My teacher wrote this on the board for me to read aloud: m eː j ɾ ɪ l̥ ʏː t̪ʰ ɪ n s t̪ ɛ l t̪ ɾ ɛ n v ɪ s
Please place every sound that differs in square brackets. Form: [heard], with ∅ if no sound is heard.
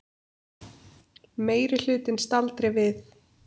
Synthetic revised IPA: m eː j ɾ ɪ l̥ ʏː [t̪] ɪ n s t̪ [a] l t̪ ɾ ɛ [∅] v ɪ [θ]